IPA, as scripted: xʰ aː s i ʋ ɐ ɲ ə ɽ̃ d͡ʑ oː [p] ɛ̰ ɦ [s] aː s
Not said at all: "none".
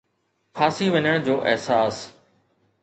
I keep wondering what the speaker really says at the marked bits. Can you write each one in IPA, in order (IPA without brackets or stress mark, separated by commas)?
ʔ, s